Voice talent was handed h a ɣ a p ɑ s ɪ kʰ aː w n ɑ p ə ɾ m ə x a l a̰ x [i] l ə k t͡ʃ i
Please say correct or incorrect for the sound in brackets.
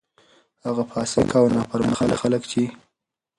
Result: incorrect